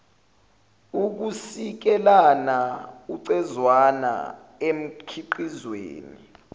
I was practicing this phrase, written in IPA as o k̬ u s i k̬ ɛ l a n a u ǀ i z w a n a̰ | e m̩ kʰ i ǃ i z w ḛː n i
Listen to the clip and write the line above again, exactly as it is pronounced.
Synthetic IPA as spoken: u k̬ u s i k̬ ɛ l a n a u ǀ ɛ z w a n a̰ | e m̩ kʰ i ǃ i z w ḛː n i